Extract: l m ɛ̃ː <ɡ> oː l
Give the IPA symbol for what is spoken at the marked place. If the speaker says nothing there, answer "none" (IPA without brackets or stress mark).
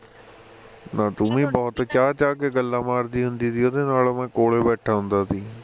k